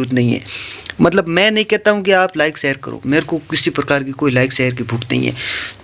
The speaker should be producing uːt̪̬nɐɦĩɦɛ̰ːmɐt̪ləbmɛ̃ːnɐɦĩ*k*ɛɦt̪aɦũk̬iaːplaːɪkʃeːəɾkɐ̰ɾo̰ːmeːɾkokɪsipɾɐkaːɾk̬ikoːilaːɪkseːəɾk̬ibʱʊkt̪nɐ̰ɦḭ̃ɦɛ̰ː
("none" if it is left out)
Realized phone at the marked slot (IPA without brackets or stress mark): k